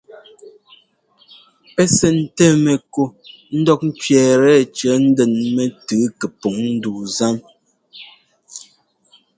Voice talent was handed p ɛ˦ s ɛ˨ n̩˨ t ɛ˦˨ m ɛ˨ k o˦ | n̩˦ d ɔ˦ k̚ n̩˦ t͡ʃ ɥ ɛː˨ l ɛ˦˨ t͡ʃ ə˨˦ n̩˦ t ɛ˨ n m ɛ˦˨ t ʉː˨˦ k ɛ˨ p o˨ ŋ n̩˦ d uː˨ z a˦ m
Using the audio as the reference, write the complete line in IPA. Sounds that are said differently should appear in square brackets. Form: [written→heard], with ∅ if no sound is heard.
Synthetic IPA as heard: p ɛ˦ s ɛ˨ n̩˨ t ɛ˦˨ m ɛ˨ k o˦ | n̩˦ d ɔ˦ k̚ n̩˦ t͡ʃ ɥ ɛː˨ [l→ɾ] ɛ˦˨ t͡ʃ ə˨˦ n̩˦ [t→d] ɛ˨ n m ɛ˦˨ t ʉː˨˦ k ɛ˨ p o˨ ŋ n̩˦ d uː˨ z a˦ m